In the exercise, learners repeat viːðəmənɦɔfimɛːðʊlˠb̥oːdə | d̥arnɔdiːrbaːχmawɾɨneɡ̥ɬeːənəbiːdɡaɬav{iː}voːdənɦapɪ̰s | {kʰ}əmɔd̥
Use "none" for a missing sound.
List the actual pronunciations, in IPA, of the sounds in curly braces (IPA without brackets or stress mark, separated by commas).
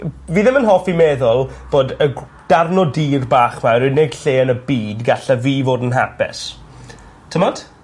iː, tʰ